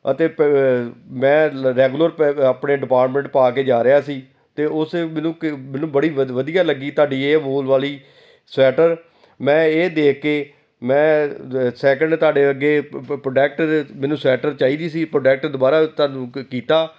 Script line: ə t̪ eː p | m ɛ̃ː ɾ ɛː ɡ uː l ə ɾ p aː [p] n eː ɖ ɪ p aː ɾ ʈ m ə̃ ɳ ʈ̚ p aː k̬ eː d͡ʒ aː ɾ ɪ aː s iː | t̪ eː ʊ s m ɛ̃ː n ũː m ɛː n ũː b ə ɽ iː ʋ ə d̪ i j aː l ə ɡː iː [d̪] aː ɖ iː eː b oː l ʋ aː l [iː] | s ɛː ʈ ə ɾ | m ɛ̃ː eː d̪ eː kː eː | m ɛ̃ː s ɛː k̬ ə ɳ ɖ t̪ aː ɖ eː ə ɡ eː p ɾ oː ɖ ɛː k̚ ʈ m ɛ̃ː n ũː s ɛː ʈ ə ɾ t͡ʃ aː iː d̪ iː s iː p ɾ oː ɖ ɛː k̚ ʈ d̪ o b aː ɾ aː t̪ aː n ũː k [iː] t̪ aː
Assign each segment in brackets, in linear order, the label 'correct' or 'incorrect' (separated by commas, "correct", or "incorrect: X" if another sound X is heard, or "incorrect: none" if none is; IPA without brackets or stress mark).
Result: correct, incorrect: t̪, correct, correct